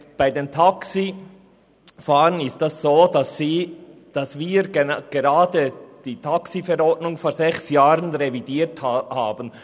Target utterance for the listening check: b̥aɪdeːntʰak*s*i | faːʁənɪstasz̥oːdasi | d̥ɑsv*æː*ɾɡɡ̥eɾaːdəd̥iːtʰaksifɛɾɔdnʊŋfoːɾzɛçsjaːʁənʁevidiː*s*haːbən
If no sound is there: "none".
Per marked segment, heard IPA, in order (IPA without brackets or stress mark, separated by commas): s, iː, t